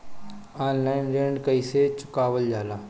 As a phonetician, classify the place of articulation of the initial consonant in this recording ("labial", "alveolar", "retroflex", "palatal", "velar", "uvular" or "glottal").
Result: alveolar